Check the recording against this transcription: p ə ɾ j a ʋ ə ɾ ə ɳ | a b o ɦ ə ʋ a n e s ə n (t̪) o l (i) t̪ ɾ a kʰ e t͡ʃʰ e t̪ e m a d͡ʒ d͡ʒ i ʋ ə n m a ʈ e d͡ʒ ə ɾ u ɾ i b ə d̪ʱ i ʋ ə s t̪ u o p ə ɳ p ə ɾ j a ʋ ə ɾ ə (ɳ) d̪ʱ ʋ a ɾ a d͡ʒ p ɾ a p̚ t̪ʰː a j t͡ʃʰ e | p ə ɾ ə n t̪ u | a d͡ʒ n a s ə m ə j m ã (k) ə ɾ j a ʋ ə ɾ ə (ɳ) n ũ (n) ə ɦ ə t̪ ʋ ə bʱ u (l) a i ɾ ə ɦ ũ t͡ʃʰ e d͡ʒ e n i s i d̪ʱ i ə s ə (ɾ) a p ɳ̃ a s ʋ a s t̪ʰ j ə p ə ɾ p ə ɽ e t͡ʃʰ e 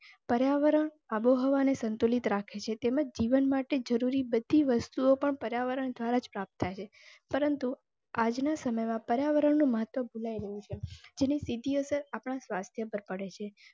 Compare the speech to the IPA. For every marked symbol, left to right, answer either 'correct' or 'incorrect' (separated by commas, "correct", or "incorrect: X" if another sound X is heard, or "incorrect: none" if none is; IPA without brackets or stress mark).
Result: correct, correct, correct, incorrect: p, correct, incorrect: m, correct, correct